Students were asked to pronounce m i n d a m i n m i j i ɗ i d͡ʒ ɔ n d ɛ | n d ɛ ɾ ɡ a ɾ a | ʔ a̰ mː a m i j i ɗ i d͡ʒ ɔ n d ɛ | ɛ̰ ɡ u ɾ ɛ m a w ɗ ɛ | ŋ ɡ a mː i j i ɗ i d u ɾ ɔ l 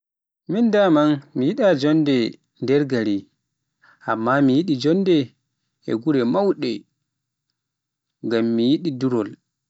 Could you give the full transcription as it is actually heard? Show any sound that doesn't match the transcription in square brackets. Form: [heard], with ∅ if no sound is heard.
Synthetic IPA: m i n d a m [a] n m i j i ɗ [a] d͡ʒ ɔ n d ɛ | n d ɛ ɾ ɡ a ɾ [i] | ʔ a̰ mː a m i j i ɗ i d͡ʒ ɔ n d ɛ | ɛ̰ ɡ u ɾ ɛ m a w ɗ ɛ | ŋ ɡ a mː i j i ɗ i d u ɾ ɔ l

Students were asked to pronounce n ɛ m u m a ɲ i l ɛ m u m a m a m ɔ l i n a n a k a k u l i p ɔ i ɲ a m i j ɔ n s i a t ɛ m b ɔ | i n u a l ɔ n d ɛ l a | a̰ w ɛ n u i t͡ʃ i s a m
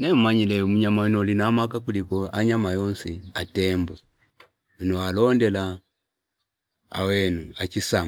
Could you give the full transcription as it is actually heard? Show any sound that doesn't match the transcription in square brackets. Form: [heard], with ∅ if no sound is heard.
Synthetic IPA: n ɛ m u m a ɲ i l ɛ m u [ɲ] a m a [n] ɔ l i n a [m] a k a k u l i [k] ɔ [a] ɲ a m [a] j ɔ n s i a t ɛ m b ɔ | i n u a l ɔ n d ɛ l a | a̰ w ɛ n u [a] t͡ʃ i s a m

